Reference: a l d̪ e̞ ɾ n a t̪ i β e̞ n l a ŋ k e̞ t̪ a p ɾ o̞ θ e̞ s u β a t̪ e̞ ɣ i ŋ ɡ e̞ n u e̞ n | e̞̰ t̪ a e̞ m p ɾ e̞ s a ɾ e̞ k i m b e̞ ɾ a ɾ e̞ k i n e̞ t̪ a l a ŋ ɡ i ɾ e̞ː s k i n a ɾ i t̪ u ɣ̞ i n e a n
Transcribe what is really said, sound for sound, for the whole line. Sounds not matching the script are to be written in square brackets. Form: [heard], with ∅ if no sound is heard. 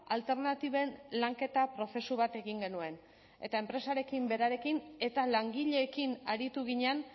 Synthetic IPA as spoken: a l [t̪] e̞ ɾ n a t̪ i β e̞ n l a ŋ k e̞ t̪ a p ɾ o̞ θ e̞ s u β a t̪ e̞ ɣ i ŋ ɡ e̞ n u e̞ n | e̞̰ t̪ a e̞ m p ɾ e̞ s a ɾ e̞ k i m b e̞ ɾ a ɾ e̞ k i n e̞ t̪ a l a ŋ ɡ i [ʎ] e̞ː [∅] k i n a ɾ i t̪ u ɣ̞ i [ɲ] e a n